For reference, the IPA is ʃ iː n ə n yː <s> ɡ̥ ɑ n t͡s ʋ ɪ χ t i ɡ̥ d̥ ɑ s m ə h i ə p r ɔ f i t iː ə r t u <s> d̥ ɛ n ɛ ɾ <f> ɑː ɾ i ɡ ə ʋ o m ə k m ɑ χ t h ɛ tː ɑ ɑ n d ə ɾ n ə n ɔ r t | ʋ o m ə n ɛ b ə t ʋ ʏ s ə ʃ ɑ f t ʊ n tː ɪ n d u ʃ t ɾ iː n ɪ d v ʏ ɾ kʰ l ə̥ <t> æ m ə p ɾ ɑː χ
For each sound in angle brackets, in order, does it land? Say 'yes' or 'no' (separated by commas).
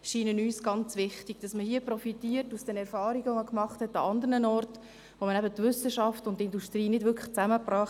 yes, yes, yes, no